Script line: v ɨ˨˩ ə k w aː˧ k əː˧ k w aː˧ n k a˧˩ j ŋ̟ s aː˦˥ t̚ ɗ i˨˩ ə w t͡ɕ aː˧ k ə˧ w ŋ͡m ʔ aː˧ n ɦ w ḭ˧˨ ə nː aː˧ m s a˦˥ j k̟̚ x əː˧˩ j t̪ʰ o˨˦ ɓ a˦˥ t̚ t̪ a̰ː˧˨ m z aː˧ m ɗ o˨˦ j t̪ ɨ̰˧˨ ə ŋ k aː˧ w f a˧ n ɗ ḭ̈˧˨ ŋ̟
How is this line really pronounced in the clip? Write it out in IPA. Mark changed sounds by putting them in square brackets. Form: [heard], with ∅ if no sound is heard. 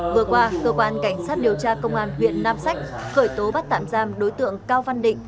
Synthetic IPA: v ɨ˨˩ ə k w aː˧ k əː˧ k w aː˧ n k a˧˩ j ŋ̟ s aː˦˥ t̚ ɗ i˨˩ ə w t͡ɕ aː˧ k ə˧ w ŋ͡m ʔ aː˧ n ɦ w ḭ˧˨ ə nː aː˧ m s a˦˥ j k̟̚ x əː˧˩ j [t̪] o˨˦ ɓ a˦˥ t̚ t̪ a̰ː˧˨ m z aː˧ m ɗ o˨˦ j t̪ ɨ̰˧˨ ə ŋ k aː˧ w [v] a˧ n ɗ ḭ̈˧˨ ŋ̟